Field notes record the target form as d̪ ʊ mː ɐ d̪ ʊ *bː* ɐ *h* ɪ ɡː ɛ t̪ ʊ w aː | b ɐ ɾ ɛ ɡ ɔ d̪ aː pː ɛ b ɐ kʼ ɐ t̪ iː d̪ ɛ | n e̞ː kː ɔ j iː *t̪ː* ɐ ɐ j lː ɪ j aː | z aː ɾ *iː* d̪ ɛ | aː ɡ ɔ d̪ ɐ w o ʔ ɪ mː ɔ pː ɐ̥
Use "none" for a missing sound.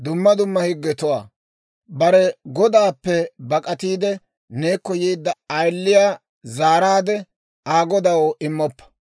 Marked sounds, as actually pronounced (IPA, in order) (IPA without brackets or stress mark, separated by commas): mː, h, d̪ː, aː